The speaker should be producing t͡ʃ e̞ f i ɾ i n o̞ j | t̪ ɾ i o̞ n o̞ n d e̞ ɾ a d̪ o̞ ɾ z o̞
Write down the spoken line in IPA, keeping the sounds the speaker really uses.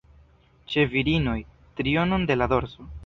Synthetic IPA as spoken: t͡ʃ e̞ v i ɾ i n o̞ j | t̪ ɾ i o̞ n o̞ n d e̞ l a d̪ o̞ ɾ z o̞